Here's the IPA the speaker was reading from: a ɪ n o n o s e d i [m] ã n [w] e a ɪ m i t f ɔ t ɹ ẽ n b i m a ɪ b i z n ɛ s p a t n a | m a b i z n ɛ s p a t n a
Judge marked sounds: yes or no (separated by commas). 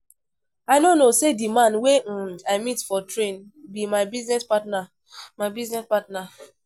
yes, yes